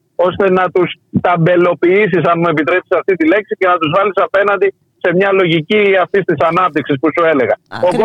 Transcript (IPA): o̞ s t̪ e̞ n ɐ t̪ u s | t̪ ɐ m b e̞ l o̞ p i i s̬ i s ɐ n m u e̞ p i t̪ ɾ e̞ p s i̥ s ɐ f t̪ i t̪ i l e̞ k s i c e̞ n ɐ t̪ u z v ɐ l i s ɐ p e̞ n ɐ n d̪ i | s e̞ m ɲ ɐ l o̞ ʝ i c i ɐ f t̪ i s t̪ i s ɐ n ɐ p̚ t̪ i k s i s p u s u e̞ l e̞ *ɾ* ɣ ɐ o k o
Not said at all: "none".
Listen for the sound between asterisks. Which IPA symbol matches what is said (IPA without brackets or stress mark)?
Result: none